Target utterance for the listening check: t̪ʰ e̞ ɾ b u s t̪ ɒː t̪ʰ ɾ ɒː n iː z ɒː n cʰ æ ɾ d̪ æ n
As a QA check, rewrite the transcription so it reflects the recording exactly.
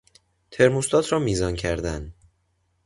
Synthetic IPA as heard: t̪ʰ e̞ ɾ m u s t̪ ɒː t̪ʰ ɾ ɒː m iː z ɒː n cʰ æ ɾ d̪ æ n